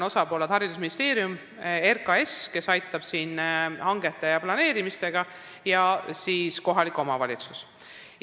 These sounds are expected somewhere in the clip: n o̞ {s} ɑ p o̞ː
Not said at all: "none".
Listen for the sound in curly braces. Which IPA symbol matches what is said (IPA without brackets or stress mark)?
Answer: s